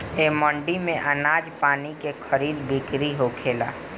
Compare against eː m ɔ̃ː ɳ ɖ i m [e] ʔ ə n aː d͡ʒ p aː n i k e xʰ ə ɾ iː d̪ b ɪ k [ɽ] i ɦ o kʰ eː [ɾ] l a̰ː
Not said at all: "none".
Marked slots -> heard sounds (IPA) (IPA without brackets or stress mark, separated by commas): ẽ, ɾ, none